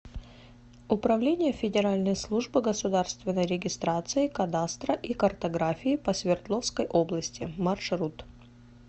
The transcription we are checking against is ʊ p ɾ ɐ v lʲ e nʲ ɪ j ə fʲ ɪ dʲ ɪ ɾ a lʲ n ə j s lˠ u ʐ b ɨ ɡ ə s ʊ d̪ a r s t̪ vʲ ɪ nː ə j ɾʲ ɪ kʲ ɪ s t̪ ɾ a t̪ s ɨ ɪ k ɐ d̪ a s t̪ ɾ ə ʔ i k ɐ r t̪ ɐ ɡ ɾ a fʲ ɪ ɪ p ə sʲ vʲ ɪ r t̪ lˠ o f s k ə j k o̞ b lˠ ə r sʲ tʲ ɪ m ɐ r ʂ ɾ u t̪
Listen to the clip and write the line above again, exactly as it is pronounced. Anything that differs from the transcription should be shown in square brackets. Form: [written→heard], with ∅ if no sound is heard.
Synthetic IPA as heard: ʊ p ɾ ɐ v lʲ e nʲ ɪ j ə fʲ ɪ dʲ ɪ ɾ a lʲ n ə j s lˠ u ʐ b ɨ ɡ ə s ʊ d̪ a r s t̪ vʲ ɪ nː ə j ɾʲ ɪ [kʲ→ɡʲ] ɪ s t̪ ɾ a t̪ s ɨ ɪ k ɐ d̪ a s t̪ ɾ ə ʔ i k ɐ r t̪ ɐ ɡ ɾ a fʲ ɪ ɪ p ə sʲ vʲ ɪ r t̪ lˠ o f s k ə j [k→ʔ] o̞ b lˠ ə [r→∅] sʲ tʲ ɪ m ɐ r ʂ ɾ u t̪

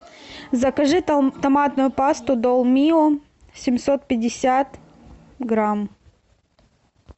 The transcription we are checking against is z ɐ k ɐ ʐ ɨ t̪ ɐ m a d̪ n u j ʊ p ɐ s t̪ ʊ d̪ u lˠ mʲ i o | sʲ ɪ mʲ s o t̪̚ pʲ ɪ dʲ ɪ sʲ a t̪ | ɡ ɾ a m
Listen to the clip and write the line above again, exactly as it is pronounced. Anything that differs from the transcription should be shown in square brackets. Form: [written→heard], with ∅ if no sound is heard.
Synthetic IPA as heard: z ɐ k ɐ ʐ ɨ t̪ ɐ m a [d̪→t̪] n [u→ʊ] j ʊ p [ɐ→a] s t̪ ʊ d̪ [u→o] lˠ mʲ i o | sʲ ɪ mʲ s o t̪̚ pʲ ɪ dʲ ɪ sʲ a t̪ | ɡ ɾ a m

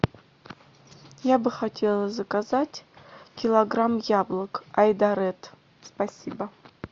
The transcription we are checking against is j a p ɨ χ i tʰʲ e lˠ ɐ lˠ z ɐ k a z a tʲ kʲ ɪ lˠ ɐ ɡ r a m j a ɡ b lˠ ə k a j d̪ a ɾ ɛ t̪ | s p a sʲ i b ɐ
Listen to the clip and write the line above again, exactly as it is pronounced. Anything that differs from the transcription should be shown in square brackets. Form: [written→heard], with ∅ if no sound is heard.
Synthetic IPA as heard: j a [p→b] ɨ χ [i→a] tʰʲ e lˠ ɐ [lˠ→∅] z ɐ k a z a tʲ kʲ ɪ lˠ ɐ ɡ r a m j a [ɡ→∅] b lˠ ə k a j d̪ a ɾ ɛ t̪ | s p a sʲ i b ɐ

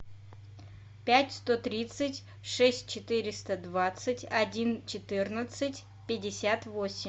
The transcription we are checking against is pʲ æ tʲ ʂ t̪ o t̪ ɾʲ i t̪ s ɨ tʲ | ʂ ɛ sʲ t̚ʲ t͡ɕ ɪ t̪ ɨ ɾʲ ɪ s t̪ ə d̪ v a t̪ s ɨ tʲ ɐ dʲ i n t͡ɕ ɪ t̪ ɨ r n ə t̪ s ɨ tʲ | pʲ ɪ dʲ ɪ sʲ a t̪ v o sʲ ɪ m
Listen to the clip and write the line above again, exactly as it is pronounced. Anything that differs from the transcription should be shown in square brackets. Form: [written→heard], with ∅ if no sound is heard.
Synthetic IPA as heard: pʲ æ tʲ [ʂ→s] t̪ o t̪ ɾʲ i t̪ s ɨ tʲ | ʂ ɛ sʲ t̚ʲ t͡ɕ ɪ t̪ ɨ ɾʲ ɪ s t̪ ə d̪ v a t̪ s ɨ tʲ ɐ dʲ i n t͡ɕ ɪ t̪ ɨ r n ə t̪ s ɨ tʲ | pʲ ɪ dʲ ɪ sʲ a t̪ v o sʲ ɪ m

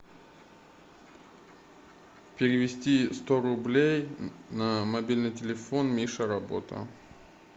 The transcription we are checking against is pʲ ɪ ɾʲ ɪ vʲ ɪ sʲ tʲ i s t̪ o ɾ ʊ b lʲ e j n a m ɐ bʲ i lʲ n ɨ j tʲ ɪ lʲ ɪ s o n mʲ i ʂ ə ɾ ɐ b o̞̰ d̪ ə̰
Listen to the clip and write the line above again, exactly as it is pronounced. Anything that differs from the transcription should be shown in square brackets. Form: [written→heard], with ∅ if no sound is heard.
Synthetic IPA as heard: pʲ ɪ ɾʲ ɪ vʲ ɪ sʲ tʲ i s t̪ o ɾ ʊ b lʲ e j n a m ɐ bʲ i lʲ n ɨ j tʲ ɪ lʲ ɪ [s→f] o n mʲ i ʂ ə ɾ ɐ b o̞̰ [d̪→t̪] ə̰

